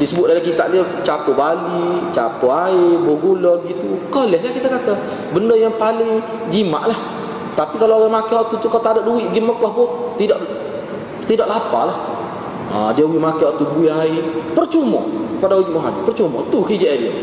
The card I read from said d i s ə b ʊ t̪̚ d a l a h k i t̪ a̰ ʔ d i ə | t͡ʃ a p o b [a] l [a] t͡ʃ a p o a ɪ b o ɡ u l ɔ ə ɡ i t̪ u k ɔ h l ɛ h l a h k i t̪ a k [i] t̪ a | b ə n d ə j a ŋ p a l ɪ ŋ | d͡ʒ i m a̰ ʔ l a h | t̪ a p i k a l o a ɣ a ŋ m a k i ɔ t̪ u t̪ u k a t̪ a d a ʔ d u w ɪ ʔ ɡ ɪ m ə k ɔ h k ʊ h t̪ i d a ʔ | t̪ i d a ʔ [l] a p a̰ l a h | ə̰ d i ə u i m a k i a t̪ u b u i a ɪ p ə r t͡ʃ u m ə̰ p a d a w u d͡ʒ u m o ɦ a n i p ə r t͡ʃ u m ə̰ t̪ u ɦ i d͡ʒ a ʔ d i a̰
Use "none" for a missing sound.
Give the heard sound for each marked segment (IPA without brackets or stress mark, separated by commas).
a, i, a, l